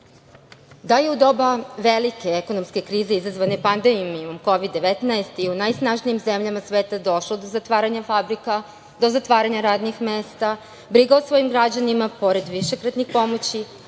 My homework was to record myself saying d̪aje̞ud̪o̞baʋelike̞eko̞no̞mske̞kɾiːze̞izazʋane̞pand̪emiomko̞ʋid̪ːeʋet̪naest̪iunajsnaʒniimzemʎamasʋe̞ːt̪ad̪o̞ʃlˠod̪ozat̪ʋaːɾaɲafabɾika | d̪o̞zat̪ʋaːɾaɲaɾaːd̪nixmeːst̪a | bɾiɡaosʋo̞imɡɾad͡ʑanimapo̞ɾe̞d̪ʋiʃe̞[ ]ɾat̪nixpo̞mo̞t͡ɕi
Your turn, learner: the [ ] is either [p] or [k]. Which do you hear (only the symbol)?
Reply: k